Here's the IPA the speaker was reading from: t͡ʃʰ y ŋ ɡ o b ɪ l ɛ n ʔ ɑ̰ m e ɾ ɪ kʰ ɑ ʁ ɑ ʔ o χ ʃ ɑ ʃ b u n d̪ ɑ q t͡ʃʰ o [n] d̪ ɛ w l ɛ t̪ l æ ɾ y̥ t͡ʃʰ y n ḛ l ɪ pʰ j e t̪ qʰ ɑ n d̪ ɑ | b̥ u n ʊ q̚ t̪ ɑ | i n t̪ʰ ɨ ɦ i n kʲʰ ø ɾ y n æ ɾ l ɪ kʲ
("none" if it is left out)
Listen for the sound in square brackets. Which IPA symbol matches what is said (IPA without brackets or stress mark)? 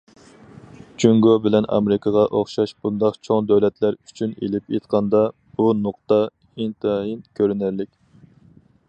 ŋ